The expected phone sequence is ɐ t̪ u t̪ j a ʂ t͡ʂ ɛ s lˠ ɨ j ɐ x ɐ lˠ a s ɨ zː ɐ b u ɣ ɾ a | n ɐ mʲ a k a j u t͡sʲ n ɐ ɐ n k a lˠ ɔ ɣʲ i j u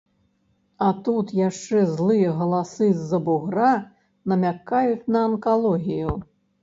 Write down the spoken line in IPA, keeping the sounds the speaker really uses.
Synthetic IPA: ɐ t̪ u t̪ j a ʂ t͡ʂ ɛ z lˠ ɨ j ɐ ɣ ɐ lˠ a s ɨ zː ɐ b u ɣ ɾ a | n ɐ mʲ a k a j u t͡sʲ n ɐ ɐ n k a lˠ ɔ ɣʲ i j u

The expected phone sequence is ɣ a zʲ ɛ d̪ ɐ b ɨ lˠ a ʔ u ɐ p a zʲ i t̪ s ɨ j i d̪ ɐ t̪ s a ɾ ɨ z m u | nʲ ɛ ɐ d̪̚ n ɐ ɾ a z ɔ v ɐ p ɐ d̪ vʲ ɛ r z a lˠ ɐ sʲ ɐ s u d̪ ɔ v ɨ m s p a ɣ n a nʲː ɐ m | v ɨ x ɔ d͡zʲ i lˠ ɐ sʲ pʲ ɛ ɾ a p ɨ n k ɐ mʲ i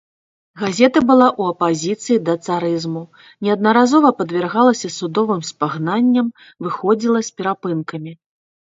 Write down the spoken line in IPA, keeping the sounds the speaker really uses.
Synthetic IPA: ɣ a zʲ ɛ t̪ ɐ b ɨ lˠ a ʔ u ɐ p a zʲ i t̪ s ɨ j i d̪ ɐ t̪ s a ɾ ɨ z m u | nʲ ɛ ɐ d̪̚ n ɐ ɾ a z ɔ v ɐ p ɐ d̪ vʲ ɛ r ɣ a lˠ ɐ sʲ ɐ s u d̪ ɔ v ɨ m s p a ɣ n a nʲː ɐ m | v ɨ x ɔ d͡zʲ i lˠ ɐ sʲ pʲ ɛ ɾ a p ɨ n k ɐ mʲ i

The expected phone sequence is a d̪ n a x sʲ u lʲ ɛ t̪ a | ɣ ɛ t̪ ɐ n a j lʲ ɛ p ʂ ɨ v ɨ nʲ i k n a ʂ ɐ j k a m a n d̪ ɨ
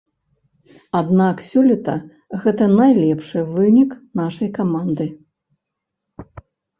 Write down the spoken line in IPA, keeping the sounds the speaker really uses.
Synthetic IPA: a d̪ n a k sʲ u lʲ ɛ t̪ ɐ | ɣ ɛ t̪ ɐ n a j lʲ ɛ p ʂ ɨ v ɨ nʲ i k n a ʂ ɐ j k a m a n d̪ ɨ

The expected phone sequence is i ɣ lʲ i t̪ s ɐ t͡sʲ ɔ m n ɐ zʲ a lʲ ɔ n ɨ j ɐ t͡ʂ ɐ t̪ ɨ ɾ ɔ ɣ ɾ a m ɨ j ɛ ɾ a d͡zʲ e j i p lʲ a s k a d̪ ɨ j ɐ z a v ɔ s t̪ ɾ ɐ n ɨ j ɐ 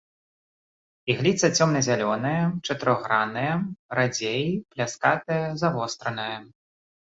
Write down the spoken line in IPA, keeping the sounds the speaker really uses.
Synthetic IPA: i ɣ lʲ i t̪ s ɐ t͡sʲ ɔ m n ɐ zʲ a lʲ ɔ n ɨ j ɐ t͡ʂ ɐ t̪ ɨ ɾ ɔ ɣ ɾ a n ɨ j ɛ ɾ a d͡zʲ e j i p lʲ a s k a t̪ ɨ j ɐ z a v ɔ s t̪ ɾ ɐ n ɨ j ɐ

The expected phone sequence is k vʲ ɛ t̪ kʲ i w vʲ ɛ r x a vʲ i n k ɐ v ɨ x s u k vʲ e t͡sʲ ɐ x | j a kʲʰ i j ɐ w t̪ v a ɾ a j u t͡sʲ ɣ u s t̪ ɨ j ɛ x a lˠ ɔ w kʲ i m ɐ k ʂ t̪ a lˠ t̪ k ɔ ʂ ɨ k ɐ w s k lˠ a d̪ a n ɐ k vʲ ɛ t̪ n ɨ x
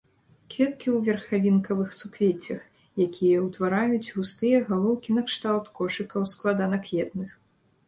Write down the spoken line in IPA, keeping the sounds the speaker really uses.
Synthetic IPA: k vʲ ɛ t̪ kʲ i w vʲ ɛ r x a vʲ i n k ɐ v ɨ x s u k vʲ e t͡sʲ ɐ x | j a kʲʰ i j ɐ w t̪ v a ɾ a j u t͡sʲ ɣ u s t̪ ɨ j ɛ ɣ a lˠ ɔ w kʲ i n ɐ k ʂ t̪ a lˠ t̪ k ɔ ʂ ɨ k ɐ w s k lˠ a d̪ a n ɐ k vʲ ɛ t̪ n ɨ x

